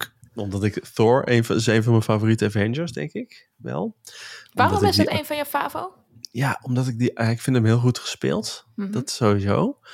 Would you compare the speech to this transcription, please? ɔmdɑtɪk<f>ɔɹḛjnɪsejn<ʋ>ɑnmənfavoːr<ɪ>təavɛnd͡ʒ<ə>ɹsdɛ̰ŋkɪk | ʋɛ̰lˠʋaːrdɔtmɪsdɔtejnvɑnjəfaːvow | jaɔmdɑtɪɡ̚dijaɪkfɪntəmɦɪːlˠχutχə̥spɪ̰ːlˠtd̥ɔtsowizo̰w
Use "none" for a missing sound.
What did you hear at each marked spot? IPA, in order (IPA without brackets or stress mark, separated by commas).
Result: θ, v, i, ə